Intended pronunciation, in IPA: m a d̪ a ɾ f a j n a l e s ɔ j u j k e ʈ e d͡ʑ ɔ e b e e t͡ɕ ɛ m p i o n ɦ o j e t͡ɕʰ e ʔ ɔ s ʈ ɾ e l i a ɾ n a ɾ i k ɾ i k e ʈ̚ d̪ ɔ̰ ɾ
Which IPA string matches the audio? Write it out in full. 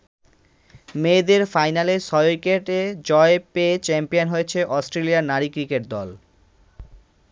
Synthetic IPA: m e d̪ e ɾ f a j n a l e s ɔ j o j k e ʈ e d͡ʑ ɔ e p e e t͡ɕ ɛ m p i o n ɦ o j e t͡ɕʰ e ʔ ɔ s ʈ ɾ e l i a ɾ n a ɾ i k ɾ i k e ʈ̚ d̪ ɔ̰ l